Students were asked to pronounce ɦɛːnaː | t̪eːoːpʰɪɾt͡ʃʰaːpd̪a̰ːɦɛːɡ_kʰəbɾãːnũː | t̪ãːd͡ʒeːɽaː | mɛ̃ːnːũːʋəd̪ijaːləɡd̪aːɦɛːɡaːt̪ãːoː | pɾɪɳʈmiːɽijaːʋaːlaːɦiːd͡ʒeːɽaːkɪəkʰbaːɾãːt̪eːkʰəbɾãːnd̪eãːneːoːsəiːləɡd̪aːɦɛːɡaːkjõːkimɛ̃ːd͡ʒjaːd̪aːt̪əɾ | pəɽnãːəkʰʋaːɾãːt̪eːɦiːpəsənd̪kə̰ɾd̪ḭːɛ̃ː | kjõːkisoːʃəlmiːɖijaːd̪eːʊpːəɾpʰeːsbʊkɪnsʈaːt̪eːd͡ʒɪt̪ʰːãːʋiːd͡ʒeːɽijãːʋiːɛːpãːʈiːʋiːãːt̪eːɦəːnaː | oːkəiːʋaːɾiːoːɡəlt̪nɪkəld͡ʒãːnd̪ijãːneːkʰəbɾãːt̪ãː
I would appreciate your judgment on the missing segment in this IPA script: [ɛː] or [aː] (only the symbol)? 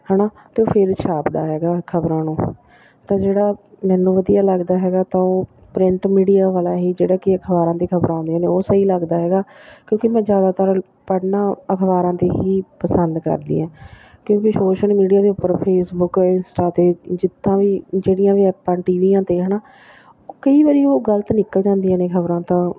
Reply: aː